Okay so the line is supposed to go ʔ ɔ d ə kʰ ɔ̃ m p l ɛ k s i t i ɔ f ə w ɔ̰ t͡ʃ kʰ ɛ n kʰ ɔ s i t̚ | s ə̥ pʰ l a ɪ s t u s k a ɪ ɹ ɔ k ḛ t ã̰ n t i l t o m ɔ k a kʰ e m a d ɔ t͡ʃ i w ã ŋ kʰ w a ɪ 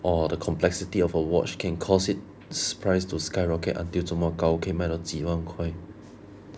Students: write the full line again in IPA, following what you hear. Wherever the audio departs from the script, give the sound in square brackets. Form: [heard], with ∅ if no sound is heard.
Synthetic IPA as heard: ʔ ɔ d ə kʰ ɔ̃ m p l ɛ k s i t i ɔ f ə w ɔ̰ t͡ʃ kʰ [ɛ̃] n kʰ ɔ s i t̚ | s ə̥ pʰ [ɹ] a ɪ s t u s k a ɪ ɹ ɔ k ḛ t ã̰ n t i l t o m ɔ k a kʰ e m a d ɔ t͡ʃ i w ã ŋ kʰ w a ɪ